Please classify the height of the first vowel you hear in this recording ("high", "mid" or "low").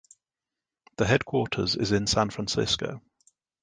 mid